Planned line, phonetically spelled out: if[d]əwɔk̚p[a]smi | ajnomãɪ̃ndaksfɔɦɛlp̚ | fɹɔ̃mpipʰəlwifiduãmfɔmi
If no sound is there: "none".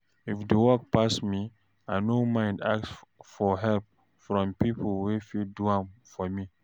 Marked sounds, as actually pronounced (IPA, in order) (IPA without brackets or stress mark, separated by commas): d, a